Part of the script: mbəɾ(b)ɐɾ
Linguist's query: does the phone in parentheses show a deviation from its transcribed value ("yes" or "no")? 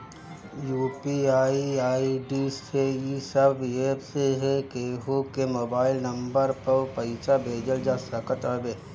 yes